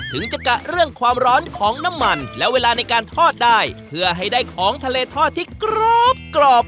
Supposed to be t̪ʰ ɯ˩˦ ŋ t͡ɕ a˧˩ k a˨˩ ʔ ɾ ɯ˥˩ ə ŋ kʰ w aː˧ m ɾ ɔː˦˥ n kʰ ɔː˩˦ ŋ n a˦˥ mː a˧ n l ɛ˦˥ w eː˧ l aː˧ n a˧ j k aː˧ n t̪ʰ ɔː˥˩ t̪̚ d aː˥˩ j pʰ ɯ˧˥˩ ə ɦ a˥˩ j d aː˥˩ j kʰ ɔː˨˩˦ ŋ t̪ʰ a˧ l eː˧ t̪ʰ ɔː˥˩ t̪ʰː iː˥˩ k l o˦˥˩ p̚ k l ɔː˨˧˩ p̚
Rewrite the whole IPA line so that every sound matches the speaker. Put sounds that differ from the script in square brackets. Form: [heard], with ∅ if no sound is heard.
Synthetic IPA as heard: t̪ʰ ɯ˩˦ ŋ t͡ɕ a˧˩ k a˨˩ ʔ ɾ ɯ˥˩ ə ŋ kʰ w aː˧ m ɾ ɔː˦˥ n kʰ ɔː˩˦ ŋ n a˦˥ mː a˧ n l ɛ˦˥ w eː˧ l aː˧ n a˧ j k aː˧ n t̪ʰ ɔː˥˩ t̪̚ d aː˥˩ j pʰ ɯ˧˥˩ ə ɦ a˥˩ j d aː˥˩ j kʰ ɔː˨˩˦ ŋ t̪ʰ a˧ l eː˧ t̪ʰ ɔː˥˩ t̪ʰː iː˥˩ k [ɾ] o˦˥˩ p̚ k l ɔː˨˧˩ p̚